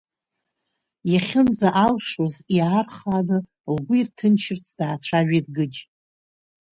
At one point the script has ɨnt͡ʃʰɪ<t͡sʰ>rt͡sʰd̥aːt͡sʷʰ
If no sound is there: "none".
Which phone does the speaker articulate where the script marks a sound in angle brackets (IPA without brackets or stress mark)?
none